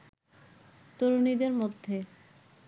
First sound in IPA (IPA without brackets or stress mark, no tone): t̪